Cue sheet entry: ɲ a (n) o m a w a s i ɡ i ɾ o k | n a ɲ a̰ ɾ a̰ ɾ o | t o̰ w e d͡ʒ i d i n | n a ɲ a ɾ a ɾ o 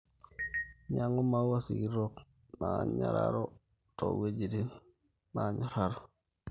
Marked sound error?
yes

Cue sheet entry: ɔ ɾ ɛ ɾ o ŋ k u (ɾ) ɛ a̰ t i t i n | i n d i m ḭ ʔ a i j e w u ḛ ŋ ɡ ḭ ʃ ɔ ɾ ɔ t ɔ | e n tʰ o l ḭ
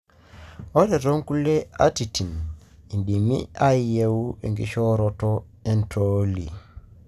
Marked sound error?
yes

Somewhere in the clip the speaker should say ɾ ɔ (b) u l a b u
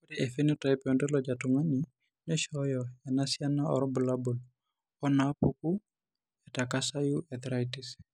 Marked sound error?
no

